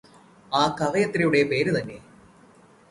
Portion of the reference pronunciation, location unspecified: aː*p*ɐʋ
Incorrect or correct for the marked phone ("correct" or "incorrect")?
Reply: incorrect